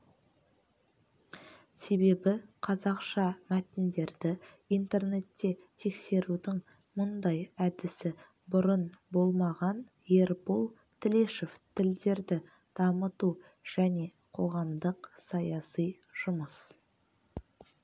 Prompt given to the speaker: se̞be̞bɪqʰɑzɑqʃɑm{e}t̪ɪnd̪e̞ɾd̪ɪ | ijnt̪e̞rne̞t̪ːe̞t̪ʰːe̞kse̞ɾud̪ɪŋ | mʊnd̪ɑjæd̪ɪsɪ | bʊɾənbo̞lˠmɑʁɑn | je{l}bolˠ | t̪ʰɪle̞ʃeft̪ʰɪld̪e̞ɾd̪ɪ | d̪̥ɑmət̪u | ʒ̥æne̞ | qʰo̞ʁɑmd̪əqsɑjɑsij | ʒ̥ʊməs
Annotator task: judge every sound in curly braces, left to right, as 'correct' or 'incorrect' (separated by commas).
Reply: incorrect, incorrect